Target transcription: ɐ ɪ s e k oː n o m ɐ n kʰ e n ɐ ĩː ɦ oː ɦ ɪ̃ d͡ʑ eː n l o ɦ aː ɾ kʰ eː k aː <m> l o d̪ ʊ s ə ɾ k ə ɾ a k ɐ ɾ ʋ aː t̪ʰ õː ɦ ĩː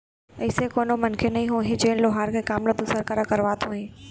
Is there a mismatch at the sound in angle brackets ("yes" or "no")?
no